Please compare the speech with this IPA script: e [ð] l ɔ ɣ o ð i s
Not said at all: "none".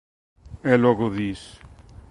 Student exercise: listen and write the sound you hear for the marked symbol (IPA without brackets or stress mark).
none